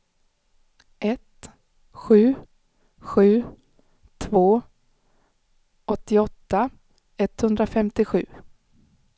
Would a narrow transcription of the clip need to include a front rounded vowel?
no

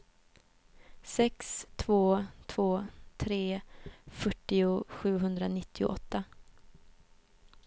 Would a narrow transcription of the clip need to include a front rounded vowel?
yes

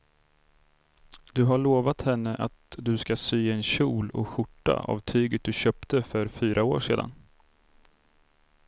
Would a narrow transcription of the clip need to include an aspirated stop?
yes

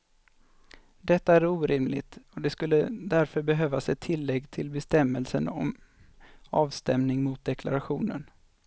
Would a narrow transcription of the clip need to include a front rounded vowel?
yes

